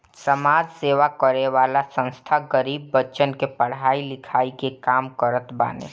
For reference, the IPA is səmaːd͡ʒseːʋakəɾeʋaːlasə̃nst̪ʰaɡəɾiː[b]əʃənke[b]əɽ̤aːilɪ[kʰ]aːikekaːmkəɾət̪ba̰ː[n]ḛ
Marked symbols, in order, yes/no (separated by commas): no, no, yes, yes